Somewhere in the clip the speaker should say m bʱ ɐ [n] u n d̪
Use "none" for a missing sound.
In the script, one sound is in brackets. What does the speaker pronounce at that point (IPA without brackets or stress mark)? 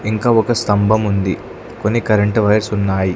m